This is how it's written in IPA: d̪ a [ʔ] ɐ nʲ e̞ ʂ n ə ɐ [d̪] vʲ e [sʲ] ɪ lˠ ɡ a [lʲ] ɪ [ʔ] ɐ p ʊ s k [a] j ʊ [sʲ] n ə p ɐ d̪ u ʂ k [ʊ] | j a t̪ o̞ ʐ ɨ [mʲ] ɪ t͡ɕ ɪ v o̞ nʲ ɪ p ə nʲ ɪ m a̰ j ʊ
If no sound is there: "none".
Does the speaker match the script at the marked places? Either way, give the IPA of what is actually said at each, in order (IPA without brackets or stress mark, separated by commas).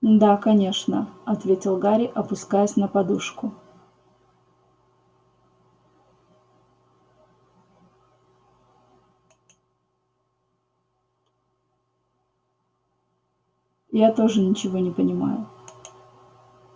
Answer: k, t̪, tʲ, ɾʲ, ʔ, a, sʲ, ʊ, nʲ